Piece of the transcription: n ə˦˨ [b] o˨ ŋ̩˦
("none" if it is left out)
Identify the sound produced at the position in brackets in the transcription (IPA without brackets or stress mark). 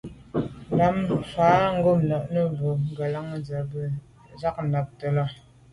b